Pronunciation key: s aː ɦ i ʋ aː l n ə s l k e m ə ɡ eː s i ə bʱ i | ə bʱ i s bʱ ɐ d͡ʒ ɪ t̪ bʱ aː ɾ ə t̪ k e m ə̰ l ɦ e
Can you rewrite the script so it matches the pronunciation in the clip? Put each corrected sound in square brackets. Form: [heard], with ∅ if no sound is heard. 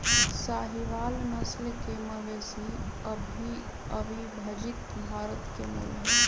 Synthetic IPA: s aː ɦ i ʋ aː l n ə s l k e m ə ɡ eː s i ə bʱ i | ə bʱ i [∅] bʱ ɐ d͡ʒ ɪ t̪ bʱ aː ɾ ə t̪ k e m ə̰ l ɦ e